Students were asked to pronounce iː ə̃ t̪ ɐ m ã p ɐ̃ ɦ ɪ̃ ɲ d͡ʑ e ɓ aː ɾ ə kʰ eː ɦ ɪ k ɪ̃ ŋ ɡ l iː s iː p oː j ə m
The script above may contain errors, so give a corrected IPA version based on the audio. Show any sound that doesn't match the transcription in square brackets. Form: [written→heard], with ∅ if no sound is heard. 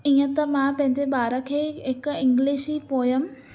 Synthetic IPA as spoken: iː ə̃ t̪ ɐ m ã p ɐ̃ ɦ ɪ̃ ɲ d͡ʑ e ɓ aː ɾ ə kʰ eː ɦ ɪ k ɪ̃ ŋ ɡ l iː [s→ʃ] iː p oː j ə m